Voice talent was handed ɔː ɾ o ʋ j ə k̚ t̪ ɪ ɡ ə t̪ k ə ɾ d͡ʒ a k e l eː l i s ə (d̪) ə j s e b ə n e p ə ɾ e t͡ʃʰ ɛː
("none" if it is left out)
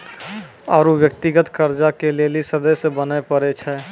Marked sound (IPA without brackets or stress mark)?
d̪